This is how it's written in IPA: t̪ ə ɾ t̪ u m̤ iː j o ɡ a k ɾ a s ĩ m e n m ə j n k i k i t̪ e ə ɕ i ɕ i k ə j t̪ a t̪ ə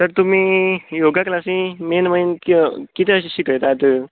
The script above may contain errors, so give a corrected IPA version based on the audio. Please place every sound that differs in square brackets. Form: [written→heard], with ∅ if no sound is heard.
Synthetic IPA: t̪ ə ɾ t̪ u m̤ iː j o ɡ a k [ɾ→l] a s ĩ m e n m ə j n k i k i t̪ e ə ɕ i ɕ i k ə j t̪ a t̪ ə

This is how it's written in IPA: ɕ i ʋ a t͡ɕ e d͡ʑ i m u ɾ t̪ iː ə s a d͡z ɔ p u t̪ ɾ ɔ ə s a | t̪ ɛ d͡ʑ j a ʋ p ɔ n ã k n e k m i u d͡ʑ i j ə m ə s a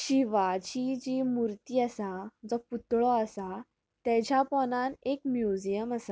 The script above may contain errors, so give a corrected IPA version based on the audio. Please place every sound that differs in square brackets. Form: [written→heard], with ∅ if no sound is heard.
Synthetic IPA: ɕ i ʋ a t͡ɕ [e→i] d͡ʑ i m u ɾ t̪ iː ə s a d͡z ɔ p u t̪ [ɾ→ɭ] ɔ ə s a | t̪ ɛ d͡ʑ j a [ʋ→∅] p ɔ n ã [k→∅] n e k m [i→j] u d͡ʑ i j ə m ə s a

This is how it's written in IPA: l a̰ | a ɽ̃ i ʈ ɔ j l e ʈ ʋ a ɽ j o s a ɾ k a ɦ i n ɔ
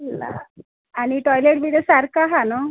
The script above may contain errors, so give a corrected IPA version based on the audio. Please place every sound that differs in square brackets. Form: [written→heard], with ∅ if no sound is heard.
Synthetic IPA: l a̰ | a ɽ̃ i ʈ ɔ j l e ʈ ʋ [a→i] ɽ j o s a ɾ k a ɦ [i→a] n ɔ

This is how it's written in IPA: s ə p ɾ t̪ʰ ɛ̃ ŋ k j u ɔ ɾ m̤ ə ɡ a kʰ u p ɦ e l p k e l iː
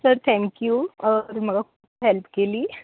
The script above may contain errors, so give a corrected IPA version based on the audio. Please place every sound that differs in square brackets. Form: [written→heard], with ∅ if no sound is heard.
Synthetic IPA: s ə [p→∅] ɾ t̪ʰ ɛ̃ ŋ k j u ɔ ɾ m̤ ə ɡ a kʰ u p ɦ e l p k e l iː

